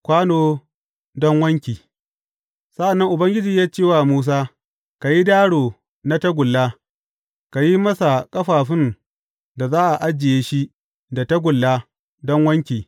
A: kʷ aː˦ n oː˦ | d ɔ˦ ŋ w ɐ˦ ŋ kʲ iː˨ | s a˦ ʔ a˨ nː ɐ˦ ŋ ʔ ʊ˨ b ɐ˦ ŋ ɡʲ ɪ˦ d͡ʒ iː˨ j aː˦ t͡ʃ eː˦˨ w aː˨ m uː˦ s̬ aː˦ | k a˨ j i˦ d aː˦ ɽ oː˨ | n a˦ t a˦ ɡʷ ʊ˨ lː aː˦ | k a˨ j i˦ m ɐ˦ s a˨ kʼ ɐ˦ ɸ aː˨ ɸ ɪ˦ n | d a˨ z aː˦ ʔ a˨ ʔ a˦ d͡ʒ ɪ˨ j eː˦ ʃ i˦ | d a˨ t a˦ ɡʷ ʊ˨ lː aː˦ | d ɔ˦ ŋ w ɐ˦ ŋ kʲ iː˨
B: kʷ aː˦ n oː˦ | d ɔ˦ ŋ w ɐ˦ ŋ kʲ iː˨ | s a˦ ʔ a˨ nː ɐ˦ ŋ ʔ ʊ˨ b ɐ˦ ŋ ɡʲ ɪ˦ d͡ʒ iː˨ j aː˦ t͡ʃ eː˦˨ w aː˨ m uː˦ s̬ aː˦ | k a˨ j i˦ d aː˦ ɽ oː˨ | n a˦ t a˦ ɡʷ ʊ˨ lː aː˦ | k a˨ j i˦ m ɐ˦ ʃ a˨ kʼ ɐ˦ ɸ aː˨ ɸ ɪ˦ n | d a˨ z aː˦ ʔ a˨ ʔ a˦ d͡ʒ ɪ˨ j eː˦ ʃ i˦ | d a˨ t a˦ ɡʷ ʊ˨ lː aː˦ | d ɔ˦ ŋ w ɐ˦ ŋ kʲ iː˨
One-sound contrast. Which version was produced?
A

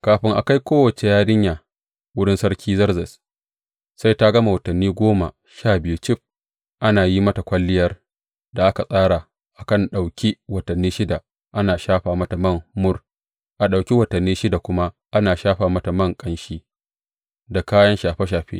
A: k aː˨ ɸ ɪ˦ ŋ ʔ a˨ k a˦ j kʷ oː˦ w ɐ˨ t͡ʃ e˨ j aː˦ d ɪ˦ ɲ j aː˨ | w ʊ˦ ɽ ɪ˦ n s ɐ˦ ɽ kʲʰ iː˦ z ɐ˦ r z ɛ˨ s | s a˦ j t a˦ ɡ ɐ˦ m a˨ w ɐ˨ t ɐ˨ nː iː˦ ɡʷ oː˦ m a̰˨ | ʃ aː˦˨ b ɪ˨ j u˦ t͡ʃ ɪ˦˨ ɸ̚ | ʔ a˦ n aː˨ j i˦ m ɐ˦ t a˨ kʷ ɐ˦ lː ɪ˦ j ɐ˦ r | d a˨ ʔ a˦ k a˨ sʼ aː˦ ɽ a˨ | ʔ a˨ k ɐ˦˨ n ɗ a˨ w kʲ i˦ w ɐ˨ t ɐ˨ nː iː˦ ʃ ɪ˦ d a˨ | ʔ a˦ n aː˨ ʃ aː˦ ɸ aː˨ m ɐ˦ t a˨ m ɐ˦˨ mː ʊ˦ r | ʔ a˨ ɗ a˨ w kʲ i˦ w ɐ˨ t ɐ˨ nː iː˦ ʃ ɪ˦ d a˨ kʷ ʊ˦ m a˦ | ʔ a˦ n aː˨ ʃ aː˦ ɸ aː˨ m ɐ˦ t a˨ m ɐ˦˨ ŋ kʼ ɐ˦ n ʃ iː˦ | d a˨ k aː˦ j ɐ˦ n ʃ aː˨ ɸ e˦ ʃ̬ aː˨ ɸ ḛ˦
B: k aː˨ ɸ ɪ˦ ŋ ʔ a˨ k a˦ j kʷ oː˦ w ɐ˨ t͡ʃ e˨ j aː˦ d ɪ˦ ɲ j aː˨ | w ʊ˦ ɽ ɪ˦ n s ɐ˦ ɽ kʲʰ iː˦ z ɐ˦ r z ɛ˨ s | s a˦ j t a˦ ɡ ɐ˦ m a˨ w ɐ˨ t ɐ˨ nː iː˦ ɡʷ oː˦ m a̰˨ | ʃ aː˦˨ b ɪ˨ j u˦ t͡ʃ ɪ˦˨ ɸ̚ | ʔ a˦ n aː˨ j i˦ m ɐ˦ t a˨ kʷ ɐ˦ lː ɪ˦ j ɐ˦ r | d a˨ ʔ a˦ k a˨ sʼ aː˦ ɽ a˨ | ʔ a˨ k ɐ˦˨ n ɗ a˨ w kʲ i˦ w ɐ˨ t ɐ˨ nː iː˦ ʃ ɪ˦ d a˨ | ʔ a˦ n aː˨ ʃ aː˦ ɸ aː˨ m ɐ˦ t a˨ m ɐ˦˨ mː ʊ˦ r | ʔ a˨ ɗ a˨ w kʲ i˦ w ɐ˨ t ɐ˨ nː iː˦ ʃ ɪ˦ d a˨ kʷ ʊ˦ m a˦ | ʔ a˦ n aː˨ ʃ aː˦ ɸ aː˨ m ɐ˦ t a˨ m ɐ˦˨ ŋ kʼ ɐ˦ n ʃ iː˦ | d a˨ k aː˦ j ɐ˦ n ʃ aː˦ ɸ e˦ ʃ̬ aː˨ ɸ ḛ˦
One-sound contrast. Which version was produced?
A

